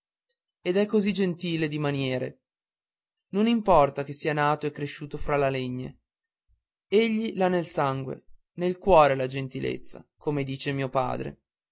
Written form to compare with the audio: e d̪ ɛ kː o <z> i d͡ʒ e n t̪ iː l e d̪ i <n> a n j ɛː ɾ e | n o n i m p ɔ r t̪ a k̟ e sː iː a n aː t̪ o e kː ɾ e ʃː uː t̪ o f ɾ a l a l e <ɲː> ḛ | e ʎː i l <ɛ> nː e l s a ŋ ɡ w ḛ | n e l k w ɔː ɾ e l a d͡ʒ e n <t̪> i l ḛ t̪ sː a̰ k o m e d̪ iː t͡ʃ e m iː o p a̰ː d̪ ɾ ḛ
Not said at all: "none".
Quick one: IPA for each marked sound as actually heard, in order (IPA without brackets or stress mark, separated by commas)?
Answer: z, m, ɲː, a, t̪